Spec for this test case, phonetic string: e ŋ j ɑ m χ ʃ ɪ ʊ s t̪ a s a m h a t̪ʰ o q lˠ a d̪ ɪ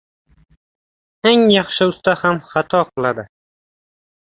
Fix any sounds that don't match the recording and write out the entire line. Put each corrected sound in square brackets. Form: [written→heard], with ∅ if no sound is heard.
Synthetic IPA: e ŋ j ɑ [m→∅] χ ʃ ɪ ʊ s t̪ a [s→h] a m [h→χ] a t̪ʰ [o→ɒ] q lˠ a d̪ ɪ